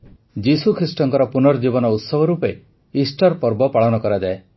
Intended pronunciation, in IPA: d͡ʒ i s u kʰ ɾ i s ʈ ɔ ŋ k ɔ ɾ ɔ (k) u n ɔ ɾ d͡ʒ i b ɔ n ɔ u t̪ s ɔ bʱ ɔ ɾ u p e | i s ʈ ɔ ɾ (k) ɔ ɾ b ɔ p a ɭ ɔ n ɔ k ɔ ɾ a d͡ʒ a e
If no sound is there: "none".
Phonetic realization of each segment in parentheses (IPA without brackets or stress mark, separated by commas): p, p